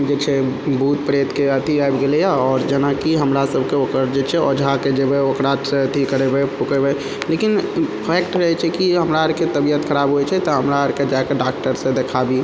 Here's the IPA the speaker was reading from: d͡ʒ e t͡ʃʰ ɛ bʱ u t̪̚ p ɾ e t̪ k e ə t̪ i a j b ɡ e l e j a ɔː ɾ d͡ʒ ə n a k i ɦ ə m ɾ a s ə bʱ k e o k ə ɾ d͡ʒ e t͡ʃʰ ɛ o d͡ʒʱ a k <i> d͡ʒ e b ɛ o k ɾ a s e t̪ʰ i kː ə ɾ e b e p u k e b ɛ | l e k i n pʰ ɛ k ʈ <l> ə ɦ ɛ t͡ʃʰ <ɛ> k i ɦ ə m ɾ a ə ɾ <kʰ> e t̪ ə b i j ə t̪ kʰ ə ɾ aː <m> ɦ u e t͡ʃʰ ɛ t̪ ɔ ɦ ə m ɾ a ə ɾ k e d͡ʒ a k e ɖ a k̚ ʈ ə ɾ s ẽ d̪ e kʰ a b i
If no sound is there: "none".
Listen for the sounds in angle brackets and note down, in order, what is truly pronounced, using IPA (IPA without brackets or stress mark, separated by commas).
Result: e, ɾ, ɛ, k, b